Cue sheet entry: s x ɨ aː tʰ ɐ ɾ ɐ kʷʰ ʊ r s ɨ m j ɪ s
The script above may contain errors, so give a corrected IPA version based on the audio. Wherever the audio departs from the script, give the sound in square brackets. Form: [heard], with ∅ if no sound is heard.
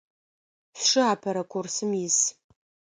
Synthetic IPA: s [ʂ] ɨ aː [pʰ] ɐ ɾ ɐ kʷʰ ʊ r s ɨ m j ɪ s